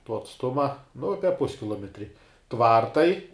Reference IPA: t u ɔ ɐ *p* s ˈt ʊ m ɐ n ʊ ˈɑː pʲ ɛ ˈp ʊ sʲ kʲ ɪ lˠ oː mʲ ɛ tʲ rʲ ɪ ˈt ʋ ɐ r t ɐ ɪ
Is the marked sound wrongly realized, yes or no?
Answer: yes